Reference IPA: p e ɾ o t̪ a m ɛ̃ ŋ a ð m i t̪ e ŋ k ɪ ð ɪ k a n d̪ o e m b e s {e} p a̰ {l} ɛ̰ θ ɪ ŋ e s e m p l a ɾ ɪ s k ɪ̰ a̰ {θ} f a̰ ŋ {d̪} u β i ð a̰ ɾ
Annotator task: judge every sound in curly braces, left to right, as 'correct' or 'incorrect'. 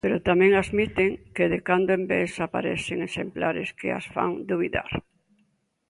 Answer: incorrect: a, incorrect: ɾ, incorrect: s, correct

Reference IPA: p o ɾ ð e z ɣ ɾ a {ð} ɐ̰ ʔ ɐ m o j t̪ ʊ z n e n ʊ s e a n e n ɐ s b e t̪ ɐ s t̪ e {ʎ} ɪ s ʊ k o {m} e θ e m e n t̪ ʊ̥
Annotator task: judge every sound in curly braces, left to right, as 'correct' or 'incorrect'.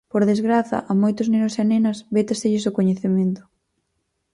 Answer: incorrect: θ, correct, incorrect: ɲ

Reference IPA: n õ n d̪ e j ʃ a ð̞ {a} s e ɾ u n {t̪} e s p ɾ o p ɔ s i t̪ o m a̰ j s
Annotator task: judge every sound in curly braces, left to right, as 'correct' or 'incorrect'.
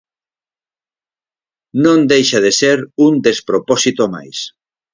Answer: incorrect: e, incorrect: d̪

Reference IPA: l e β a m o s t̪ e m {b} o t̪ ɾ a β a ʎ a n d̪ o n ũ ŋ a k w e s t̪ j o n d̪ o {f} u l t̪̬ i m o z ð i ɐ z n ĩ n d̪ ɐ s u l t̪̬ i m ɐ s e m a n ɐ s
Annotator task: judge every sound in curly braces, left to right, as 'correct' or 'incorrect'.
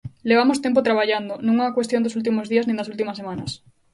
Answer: incorrect: p, incorrect: s

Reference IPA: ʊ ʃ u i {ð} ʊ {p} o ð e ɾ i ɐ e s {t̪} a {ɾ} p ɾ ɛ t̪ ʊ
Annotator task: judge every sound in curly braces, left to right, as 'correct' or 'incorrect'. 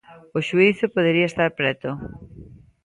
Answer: incorrect: θ, correct, correct, correct

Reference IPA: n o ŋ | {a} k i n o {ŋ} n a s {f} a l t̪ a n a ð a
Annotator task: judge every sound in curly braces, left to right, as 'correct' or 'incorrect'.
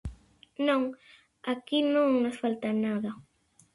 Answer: correct, correct, correct

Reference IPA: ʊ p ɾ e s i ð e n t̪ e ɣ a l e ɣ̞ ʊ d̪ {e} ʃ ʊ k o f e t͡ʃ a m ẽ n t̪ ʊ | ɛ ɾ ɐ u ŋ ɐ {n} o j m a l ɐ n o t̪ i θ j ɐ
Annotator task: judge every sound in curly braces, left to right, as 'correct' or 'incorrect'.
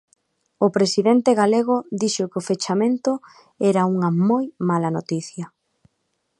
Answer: incorrect: i, incorrect: m

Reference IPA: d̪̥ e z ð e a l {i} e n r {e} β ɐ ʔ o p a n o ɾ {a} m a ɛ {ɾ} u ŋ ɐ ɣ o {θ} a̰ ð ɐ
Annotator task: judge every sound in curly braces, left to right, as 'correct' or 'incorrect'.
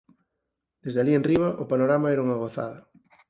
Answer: correct, incorrect: i, correct, correct, correct

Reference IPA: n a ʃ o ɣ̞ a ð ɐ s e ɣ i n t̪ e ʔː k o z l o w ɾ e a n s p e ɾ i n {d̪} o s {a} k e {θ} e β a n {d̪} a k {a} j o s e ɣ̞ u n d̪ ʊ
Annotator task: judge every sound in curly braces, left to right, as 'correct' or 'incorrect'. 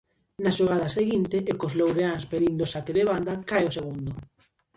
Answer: correct, correct, incorrect: ð, correct, correct

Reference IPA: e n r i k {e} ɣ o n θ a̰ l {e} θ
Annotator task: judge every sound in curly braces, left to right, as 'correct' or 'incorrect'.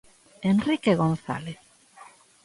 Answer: correct, correct

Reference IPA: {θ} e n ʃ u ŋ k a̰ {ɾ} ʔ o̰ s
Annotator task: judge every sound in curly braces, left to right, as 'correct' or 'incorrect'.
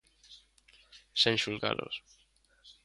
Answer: incorrect: s, incorrect: l

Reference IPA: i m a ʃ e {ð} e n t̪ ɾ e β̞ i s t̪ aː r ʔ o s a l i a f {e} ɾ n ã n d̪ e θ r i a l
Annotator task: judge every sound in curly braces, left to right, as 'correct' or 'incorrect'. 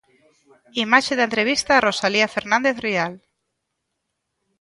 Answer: correct, correct

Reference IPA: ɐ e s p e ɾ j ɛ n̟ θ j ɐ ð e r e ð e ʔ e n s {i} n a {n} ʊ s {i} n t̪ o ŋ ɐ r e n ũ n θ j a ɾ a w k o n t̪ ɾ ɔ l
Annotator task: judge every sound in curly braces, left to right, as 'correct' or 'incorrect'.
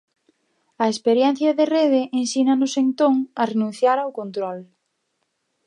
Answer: correct, correct, incorrect: e

